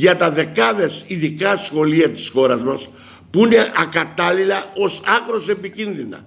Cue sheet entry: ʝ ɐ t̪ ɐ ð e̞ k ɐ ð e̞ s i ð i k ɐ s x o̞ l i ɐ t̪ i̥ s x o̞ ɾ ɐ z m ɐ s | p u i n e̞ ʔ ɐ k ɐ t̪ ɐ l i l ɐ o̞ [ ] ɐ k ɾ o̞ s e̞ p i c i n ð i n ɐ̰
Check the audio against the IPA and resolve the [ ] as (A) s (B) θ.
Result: A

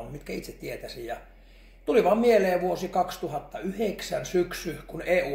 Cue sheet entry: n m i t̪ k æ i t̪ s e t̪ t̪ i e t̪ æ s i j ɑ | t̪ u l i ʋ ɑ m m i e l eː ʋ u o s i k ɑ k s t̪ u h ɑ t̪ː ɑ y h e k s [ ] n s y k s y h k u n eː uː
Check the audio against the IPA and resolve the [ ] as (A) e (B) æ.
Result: B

